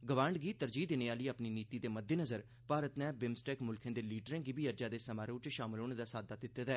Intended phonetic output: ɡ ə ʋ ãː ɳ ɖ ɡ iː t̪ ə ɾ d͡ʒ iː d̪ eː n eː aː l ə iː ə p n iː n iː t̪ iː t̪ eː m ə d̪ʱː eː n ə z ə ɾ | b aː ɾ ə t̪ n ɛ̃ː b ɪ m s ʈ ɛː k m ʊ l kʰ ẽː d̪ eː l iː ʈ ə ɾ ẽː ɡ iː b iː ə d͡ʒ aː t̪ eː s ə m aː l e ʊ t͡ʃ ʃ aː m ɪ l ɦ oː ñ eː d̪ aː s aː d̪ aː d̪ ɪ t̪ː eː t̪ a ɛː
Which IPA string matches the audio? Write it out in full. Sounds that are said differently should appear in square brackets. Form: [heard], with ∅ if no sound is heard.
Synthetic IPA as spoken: ɡ ə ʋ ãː ɳ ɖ ɡ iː t̪ ə ɾ d͡ʒ iː d̪ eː n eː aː l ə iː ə p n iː n iː t̪ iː [d̪] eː m ə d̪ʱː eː n ə z ə ɾ | [p] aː ɾ ə t̪ n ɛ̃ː b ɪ m s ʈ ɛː k m ʊ l kʰ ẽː d̪ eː l iː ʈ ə ɾ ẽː ɡ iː b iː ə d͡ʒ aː [d̪] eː s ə m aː [ɾ] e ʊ t͡ʃ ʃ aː m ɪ l ɦ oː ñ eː d̪ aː s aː d̪ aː d̪ ɪ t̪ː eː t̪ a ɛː